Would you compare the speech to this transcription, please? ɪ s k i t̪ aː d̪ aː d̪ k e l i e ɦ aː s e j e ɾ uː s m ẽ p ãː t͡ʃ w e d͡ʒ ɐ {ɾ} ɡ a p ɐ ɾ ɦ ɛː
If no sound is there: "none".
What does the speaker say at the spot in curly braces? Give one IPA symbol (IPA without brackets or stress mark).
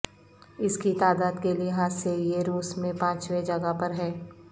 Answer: none